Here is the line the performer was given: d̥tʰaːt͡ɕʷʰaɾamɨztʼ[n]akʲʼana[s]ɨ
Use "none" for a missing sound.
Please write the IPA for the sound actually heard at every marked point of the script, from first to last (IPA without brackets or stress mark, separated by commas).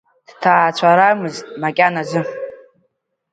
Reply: m, z